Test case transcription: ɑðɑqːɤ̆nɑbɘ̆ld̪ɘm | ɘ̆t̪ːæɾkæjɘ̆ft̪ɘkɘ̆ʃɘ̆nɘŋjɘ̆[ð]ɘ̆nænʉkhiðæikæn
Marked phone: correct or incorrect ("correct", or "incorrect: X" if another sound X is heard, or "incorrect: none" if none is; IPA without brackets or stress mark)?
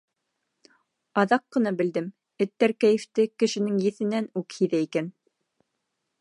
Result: incorrect: θ